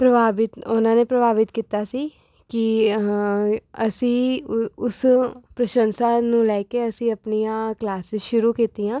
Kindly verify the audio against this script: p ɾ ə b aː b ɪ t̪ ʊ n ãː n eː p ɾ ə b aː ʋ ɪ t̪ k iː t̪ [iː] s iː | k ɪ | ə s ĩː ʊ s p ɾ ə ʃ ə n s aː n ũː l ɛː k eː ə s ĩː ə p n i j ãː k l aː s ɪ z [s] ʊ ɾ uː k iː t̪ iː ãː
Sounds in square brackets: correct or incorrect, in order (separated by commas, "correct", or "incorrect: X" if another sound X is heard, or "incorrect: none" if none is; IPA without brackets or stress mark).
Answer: incorrect: aː, incorrect: ʃ